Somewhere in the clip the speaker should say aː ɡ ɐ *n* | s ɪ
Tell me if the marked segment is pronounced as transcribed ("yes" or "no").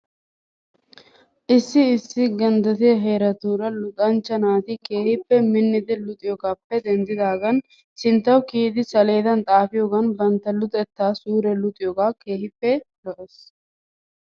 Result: yes